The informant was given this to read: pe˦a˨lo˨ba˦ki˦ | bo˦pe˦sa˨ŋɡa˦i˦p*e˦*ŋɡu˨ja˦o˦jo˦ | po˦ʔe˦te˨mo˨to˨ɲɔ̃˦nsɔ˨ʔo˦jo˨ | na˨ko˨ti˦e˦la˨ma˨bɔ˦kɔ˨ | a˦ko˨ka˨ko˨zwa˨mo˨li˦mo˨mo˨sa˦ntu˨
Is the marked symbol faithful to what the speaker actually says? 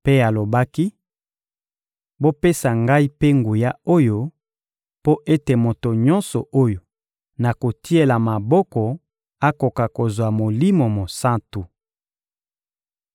yes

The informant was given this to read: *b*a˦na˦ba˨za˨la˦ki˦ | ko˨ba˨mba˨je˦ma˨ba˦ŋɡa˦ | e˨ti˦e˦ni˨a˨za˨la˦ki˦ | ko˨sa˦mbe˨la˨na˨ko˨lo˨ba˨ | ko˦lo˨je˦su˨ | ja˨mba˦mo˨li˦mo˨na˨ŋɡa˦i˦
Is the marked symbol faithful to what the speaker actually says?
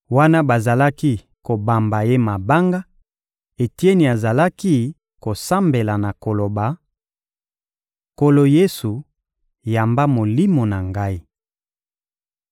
no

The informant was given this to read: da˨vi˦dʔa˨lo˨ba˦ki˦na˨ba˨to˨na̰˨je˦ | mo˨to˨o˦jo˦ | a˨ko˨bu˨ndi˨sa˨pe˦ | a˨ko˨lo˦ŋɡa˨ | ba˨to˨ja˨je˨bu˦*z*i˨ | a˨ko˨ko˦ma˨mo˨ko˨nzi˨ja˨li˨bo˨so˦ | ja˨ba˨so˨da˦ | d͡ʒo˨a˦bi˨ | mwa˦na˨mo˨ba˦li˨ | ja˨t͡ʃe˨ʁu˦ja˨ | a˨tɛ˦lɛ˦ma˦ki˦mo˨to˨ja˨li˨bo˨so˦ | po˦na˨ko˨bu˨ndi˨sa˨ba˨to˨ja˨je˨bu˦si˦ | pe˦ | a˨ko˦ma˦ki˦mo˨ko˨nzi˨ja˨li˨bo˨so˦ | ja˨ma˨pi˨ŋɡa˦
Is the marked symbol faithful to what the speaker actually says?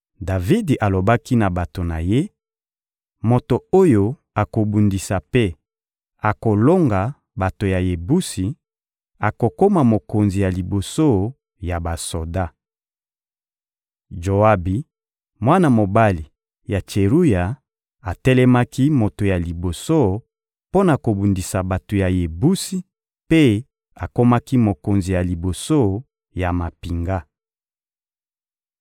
no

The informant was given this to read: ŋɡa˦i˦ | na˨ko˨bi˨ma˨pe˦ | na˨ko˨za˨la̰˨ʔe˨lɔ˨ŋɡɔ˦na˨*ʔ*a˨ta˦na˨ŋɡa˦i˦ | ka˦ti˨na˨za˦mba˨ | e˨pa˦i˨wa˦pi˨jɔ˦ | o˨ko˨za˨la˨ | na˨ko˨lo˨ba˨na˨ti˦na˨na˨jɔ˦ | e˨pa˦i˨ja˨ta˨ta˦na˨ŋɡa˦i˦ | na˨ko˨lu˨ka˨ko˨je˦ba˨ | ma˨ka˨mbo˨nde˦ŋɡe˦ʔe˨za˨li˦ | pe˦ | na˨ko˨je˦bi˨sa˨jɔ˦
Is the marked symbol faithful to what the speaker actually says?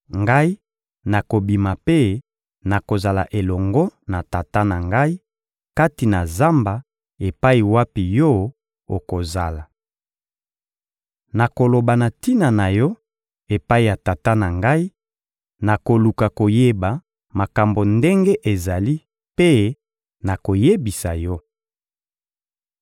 no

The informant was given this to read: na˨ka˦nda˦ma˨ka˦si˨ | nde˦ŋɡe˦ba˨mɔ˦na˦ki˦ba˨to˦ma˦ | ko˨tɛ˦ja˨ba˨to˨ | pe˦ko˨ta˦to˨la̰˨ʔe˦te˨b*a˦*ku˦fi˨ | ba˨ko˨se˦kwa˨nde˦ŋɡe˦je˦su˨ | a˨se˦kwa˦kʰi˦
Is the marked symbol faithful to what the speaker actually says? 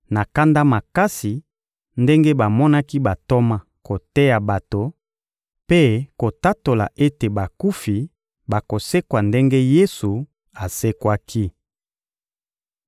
no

